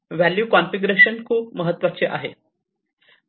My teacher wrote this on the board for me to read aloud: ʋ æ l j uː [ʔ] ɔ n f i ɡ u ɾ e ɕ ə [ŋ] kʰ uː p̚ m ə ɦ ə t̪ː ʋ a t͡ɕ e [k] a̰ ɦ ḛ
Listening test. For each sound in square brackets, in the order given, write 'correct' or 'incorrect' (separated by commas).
incorrect, incorrect, incorrect